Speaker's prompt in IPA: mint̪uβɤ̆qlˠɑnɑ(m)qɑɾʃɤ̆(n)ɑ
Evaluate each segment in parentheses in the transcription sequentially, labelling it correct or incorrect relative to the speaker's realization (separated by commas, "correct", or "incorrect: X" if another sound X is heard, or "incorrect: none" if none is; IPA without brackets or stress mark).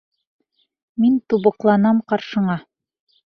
correct, incorrect: ɴ